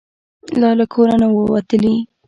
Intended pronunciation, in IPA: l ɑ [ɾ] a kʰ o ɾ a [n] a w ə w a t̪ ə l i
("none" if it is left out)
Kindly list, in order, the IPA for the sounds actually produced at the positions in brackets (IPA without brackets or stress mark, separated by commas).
l, n